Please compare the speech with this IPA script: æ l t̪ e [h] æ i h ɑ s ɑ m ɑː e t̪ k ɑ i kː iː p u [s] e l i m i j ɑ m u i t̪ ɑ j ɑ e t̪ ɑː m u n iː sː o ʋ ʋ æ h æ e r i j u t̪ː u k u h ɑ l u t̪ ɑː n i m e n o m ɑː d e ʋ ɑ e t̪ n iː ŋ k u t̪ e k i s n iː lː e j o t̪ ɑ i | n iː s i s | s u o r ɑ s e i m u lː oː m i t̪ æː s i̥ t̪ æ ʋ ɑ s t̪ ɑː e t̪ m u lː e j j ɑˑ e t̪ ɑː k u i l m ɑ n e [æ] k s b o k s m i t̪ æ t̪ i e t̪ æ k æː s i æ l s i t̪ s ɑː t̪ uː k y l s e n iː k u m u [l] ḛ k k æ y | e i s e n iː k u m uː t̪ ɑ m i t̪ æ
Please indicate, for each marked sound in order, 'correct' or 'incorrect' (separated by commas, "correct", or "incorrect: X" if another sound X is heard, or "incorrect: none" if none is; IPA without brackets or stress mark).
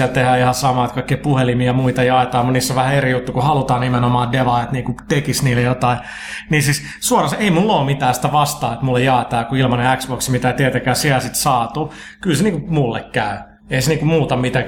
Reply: correct, incorrect: h, correct, incorrect: lː